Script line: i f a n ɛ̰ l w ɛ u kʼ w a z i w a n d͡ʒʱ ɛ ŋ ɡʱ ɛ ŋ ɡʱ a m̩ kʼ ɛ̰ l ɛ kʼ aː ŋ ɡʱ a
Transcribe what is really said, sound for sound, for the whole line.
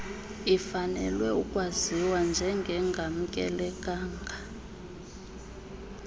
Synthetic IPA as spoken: i f a n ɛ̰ l w ɛ u kʼ w a z i w a n d͡ʒʱ ɛ ŋ ɡʱ ɛ ŋ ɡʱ a m̩ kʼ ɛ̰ l ɛ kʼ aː ŋ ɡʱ a